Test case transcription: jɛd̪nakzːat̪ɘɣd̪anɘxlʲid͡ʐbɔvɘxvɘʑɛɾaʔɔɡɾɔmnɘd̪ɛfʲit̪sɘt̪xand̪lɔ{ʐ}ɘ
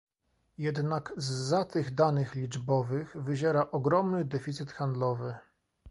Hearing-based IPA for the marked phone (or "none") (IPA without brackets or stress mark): v